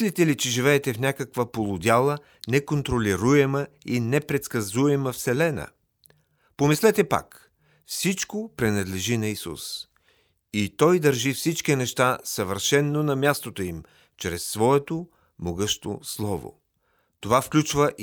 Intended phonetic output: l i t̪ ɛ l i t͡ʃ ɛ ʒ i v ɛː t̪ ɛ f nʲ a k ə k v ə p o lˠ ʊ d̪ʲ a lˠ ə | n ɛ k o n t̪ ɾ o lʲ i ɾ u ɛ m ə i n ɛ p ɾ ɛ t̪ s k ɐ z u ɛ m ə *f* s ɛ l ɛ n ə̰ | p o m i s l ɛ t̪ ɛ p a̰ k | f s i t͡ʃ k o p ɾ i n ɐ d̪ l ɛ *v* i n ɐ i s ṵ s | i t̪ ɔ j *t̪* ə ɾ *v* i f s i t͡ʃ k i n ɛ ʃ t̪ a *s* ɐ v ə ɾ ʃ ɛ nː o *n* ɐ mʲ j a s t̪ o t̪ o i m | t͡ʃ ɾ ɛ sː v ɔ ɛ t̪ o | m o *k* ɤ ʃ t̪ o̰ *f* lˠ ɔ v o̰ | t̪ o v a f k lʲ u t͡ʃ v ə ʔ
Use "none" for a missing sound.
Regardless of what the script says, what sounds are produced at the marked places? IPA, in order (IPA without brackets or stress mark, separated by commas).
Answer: f, ʒ, d̪, ʒ, s, n, ɡ, s